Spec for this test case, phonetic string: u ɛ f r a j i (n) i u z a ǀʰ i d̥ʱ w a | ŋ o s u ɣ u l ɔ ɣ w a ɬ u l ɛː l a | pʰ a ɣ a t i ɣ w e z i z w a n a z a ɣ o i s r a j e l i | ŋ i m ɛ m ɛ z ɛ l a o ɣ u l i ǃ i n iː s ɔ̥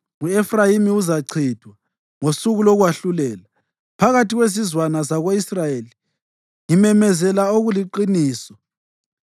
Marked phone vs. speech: incorrect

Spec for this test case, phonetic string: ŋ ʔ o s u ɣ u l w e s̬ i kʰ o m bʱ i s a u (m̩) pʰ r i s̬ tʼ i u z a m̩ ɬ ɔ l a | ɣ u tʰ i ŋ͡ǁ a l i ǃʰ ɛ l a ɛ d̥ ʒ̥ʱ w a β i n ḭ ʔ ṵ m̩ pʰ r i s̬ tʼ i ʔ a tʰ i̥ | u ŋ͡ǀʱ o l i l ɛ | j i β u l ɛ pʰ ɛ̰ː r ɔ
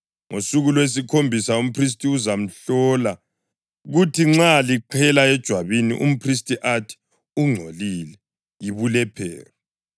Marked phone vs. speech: correct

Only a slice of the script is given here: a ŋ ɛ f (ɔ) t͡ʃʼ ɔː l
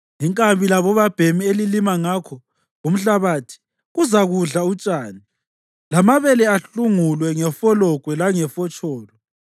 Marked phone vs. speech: correct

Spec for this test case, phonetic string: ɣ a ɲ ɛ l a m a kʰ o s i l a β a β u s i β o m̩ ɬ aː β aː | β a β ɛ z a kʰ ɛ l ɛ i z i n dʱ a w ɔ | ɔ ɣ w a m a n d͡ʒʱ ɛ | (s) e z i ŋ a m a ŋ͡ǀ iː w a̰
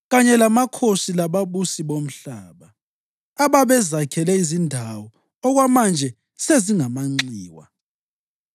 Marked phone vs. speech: correct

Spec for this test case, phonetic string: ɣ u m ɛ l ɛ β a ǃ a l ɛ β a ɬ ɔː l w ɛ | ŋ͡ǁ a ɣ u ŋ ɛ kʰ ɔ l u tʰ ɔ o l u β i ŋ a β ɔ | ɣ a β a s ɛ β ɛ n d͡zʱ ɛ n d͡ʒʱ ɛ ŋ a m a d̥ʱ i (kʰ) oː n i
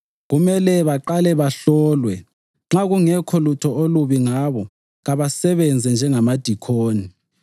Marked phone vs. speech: correct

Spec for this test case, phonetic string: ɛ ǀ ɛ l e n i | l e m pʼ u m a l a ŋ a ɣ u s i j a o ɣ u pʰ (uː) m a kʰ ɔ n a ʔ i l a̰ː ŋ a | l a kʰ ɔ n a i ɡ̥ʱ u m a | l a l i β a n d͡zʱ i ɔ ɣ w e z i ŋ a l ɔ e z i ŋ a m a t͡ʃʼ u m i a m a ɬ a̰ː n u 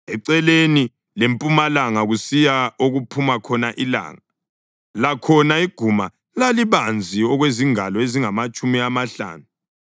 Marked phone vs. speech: incorrect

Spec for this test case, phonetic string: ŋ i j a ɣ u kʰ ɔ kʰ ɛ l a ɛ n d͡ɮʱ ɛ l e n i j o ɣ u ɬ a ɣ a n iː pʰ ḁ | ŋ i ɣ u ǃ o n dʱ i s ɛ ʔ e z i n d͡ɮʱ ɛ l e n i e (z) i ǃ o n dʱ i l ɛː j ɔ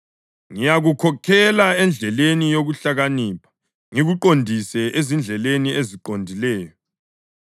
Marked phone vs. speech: correct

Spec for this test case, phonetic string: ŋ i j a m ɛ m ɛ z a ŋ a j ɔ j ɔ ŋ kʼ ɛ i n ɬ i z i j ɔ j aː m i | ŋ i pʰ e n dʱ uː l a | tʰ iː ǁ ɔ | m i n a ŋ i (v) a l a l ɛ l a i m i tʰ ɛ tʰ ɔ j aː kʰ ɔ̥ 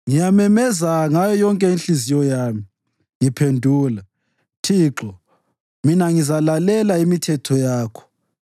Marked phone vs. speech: incorrect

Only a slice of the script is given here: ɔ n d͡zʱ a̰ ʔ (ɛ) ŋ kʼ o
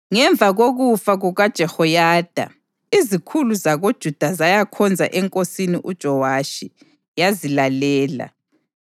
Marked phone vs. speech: correct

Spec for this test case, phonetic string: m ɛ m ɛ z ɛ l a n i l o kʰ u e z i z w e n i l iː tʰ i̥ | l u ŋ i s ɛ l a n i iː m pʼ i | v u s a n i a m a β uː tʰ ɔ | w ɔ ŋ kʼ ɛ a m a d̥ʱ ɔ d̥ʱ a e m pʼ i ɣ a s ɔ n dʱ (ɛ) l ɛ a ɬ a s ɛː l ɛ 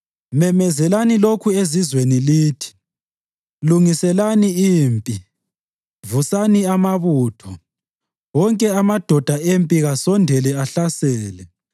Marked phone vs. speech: correct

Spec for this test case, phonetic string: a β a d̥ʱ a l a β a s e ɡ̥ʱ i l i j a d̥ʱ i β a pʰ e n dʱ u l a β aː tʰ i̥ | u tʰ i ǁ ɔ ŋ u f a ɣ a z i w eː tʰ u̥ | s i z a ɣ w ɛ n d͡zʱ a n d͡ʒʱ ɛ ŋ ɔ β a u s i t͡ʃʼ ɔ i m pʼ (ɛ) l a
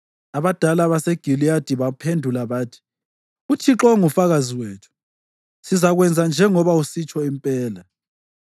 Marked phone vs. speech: incorrect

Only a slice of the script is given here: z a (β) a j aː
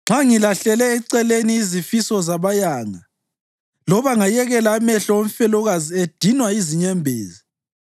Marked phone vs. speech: correct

